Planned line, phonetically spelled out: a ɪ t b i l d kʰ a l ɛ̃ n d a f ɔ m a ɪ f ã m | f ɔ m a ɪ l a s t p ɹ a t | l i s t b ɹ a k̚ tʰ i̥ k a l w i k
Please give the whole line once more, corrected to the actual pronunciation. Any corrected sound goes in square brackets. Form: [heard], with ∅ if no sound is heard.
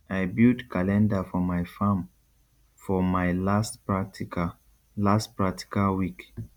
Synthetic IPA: a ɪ [∅] b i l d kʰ a l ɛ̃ n d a f ɔ m a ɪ f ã m | f ɔ m a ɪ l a s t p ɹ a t | l [a] s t [p] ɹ a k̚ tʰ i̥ k a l w i k